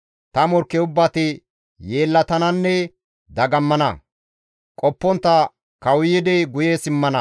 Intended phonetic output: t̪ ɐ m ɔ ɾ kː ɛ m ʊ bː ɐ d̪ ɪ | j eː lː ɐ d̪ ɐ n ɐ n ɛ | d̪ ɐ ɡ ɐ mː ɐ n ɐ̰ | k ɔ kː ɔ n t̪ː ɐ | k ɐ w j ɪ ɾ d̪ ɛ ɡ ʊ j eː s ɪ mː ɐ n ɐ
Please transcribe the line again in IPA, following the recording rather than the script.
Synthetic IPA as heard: t̪ ɐ m ɔ ɾ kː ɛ ʊ bː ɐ t̪ ɪ | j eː lː ɐ t̪ ɐ n ɐ nː ɛ | d̪ ɐ ɡ ɐ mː ɐ n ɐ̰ | kʼ ɔ pː ɔ n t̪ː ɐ | k ɐ w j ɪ d̪ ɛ ɡ ʊ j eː s ɪ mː ɐ n ɐ